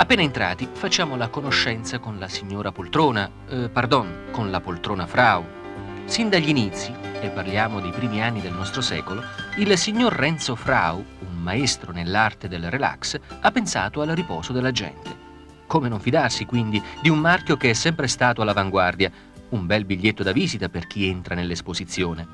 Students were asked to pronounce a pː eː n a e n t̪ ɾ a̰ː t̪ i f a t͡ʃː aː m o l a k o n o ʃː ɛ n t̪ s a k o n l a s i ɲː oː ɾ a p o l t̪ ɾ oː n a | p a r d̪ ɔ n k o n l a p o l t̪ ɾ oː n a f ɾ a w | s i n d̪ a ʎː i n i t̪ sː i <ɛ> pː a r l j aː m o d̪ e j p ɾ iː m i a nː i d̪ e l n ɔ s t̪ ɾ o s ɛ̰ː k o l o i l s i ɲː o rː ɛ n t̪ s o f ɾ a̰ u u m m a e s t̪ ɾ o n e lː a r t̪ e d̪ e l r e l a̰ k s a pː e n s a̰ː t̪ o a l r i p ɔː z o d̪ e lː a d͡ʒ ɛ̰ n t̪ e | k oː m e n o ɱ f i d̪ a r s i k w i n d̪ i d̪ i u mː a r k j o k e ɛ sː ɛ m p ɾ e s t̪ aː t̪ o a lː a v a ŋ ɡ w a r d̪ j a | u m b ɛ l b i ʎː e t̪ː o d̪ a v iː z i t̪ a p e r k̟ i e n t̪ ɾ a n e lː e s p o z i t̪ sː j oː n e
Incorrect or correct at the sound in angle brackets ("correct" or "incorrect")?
incorrect